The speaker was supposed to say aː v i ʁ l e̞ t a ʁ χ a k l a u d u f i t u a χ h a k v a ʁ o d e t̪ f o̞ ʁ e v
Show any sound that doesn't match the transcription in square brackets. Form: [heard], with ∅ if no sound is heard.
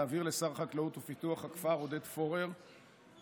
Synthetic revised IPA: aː v i ʁ l e̞ [s] a ʁ χ a k l a u [t] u f i t u a χ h a k [f] a ʁ o d e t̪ f o̞ ʁ e [ʁ]